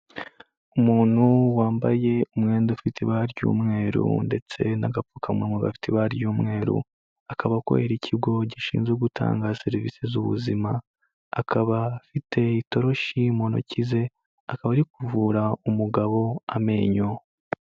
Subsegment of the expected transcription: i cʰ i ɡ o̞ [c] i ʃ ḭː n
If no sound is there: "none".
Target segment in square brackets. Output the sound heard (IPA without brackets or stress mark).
ɟ